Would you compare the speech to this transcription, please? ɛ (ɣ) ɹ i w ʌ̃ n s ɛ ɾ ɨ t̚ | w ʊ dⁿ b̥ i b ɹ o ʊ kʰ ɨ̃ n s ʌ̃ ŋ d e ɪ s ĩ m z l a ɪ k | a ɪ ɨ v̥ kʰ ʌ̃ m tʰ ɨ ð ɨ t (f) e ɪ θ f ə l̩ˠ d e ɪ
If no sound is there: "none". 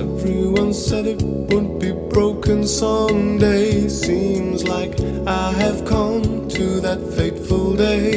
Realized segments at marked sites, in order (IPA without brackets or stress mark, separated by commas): v, f